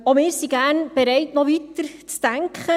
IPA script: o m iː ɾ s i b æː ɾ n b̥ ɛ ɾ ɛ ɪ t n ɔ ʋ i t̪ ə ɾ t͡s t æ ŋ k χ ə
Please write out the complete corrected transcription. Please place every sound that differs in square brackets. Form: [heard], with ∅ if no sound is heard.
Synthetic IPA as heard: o m [ɪː] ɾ s i [ɡ] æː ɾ n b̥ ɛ ɾ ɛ ɪ t n ɔ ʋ i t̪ ə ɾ t͡s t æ ŋ k χ ə